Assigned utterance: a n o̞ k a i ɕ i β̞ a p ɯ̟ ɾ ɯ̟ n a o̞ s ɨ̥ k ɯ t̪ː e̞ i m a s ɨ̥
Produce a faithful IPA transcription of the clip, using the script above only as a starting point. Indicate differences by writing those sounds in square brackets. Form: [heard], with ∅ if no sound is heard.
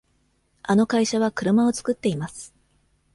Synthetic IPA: a n o̞ k a i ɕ [a] β̞ a [k] ɯ̟ ɾ ɯ̟ [m] a o̞ [t͡s] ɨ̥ k ɯ t̪ː e̞ i m a s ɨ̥